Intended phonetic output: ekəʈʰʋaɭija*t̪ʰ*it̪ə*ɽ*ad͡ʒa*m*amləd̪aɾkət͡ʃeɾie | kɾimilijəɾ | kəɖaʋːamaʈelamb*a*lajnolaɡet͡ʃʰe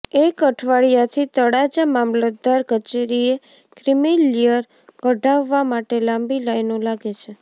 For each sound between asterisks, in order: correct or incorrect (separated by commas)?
correct, correct, correct, incorrect